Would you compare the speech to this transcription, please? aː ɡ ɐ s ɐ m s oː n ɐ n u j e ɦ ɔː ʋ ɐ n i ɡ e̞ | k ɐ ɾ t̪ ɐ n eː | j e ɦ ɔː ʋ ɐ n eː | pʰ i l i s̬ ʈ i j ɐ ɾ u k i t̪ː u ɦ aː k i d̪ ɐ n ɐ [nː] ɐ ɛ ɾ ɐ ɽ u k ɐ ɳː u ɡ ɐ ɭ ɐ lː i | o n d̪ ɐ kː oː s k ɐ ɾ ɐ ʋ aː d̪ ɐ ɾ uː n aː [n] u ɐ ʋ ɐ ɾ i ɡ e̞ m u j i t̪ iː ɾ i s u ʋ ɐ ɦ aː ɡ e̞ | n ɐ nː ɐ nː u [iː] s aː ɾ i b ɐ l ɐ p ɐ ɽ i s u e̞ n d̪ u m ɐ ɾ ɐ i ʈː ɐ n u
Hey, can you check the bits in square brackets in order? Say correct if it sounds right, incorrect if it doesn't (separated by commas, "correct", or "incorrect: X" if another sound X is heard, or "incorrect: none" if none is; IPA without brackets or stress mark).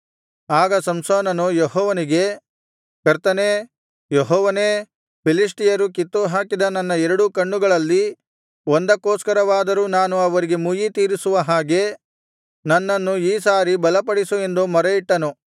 correct, correct, correct